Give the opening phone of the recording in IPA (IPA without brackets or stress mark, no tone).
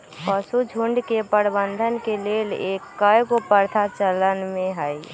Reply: p